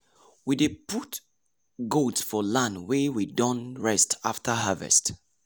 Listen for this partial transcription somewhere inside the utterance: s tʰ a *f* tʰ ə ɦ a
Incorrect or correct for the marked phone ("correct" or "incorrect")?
correct